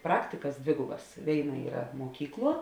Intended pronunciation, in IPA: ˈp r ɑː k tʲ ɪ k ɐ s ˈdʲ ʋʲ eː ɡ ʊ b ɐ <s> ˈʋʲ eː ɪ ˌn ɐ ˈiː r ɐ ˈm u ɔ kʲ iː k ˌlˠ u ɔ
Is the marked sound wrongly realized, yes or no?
no